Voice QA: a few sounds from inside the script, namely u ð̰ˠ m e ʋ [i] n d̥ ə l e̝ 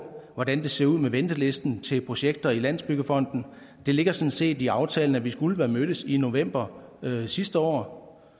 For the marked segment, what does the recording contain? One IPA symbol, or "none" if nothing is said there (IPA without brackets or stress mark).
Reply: e